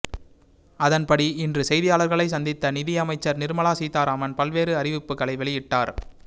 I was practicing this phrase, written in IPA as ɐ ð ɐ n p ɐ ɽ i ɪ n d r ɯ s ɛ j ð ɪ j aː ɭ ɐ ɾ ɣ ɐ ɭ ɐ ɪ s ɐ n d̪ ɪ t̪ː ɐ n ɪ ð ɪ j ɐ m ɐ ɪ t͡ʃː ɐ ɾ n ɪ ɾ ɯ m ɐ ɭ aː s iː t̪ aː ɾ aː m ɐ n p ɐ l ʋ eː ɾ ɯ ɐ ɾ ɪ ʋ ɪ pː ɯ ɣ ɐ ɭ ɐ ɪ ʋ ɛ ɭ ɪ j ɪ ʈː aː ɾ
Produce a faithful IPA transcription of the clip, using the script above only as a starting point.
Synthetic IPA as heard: ɐ ð ɐ n p ɐ ɽ i ɪ n d r ɯ s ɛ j ð ɪ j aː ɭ ɐ ɾ ɣ ɐ ɭ ɐ ɪ s ɐ n d̪ ɪ t̪ː ɐ n ɪ ð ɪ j ɐ m ɐ ɪ t͡ʃː ɐ ɾ n ɪ ɾ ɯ m ɐ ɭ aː s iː t̪ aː ɾ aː m ɐ n p ɐ l ʋ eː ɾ ɯ ɐ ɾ ɪ ʋ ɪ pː ɯ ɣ ɐ ɭ ɐ ɪ ʋ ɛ ɭ ɪ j ɪ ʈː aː ɾ